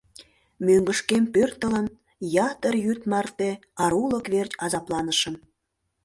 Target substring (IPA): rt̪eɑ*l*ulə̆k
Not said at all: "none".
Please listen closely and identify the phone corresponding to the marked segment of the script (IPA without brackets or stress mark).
ɾ